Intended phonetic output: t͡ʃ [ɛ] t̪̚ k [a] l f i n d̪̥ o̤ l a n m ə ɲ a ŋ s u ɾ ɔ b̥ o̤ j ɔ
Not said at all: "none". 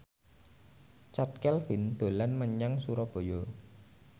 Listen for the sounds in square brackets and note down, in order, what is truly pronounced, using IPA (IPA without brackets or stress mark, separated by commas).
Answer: a, ɛ